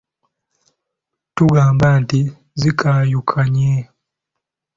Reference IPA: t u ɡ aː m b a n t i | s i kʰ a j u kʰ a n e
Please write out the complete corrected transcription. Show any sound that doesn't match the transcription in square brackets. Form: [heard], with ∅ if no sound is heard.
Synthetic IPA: t u ɡ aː m b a n t i | [z] i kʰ a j u kʰ a [ɲ] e